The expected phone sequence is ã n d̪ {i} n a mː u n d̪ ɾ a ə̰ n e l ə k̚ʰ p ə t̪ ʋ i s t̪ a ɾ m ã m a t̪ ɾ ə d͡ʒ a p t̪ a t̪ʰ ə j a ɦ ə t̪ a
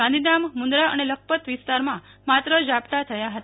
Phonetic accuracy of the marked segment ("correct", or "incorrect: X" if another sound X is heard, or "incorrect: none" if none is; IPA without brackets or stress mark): correct